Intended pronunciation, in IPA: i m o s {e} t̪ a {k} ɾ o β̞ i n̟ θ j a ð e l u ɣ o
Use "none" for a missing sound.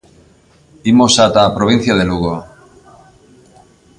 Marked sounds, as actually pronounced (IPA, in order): a, p

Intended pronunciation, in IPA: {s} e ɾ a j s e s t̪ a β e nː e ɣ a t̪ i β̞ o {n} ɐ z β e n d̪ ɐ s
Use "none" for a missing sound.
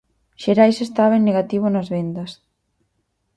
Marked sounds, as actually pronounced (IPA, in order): ʃ, n

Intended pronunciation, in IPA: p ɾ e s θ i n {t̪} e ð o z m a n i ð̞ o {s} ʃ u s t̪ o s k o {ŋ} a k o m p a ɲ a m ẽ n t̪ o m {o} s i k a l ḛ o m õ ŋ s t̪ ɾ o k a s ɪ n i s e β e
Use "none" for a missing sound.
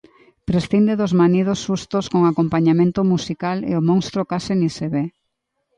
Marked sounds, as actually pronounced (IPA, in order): d̪, s, ŋ, u

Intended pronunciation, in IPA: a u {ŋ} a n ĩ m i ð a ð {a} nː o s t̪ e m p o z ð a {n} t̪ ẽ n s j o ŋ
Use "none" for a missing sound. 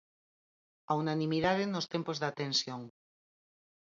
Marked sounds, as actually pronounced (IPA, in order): n, e, none

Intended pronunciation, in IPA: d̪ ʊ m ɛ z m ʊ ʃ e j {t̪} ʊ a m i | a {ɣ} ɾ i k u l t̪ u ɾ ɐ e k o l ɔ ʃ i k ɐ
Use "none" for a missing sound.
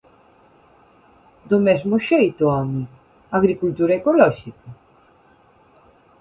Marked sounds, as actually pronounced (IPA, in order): t̪, ɣ

